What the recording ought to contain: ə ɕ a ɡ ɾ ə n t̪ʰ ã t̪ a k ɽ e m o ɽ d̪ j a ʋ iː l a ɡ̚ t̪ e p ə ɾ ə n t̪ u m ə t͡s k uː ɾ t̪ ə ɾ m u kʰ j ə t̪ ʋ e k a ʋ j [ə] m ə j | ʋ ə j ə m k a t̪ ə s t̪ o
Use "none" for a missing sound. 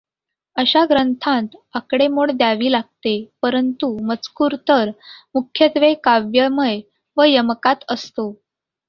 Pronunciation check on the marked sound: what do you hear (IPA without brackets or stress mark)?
ə